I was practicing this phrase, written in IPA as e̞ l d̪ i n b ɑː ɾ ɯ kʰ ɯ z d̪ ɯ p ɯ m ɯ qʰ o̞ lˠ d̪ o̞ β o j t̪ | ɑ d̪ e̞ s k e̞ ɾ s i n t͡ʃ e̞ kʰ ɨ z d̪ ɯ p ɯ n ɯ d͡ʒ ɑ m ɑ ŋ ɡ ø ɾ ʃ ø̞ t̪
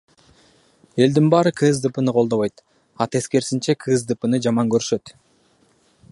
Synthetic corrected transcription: e̞ l d̪ i n b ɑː ɾ ɯ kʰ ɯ z d̪ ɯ p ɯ n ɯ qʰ o̞ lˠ d̪ o̞ β o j t̪ | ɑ t̪ e̞ s k e̞ ɾ s i n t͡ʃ e̞ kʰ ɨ z d̪ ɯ p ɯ n ɯ d͡ʒ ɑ m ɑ ŋ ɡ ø ɾ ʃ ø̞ t̪